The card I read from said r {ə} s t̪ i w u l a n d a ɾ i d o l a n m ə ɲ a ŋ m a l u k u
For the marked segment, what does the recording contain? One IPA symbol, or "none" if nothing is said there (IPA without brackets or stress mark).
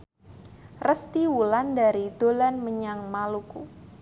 ə